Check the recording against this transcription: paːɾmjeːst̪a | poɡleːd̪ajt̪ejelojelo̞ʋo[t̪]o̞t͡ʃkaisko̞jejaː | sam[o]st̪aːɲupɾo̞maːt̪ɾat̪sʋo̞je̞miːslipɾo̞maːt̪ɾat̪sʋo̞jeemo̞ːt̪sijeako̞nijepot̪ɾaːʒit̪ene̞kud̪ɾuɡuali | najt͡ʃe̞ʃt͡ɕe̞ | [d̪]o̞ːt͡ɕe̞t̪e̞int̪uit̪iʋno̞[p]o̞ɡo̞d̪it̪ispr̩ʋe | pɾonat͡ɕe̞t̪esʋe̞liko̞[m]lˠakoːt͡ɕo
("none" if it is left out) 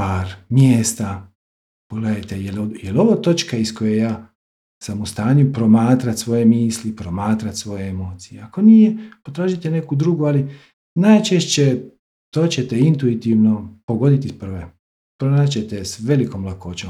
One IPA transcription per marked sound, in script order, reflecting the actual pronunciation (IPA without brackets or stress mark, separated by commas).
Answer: t̪, u, t̪, p, m